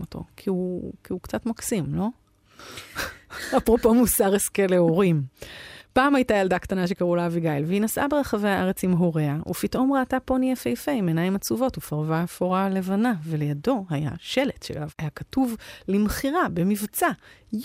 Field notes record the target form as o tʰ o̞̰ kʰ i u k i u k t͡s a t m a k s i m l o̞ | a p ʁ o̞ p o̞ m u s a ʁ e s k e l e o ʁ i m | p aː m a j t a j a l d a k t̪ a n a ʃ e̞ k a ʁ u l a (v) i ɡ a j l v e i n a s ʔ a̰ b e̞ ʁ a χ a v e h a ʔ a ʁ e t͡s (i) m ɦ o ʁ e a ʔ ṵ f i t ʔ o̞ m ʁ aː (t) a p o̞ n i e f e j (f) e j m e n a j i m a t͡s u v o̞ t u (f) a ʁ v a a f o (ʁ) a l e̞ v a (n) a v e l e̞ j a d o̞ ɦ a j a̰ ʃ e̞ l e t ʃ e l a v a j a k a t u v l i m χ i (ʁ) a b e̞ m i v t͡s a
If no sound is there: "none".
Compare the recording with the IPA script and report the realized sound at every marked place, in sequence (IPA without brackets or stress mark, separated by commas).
v, i, t, f, f, ʁ, n, ʁ